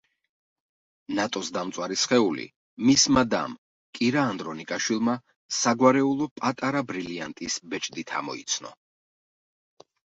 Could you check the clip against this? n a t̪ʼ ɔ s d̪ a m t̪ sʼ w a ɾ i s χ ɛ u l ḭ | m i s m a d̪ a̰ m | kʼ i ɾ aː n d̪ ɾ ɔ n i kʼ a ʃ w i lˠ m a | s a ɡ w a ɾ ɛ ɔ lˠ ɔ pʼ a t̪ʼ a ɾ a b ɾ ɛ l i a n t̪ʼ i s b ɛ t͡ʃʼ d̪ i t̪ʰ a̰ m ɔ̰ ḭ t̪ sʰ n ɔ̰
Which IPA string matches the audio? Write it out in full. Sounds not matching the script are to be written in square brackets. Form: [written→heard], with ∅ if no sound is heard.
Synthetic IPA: n a t̪ʼ ɔ s d̪ a m t̪ sʼ w a ɾ i s χ ɛ u l ḭ | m i s m a d̪ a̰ m | kʼ i ɾ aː n d̪ ɾ ɔ n i kʼ a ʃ w i lˠ m a | s a ɡ w a ɾ ɛ [ɔ→u] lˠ ɔ pʼ a t̪ʼ a ɾ a b ɾ [ɛ→i] l i a n t̪ʼ i s b ɛ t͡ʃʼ d̪ i t̪ʰ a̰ m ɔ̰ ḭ t̪ sʰ n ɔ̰